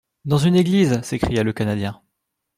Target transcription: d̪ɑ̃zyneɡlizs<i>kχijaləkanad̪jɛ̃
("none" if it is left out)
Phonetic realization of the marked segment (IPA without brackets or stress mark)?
e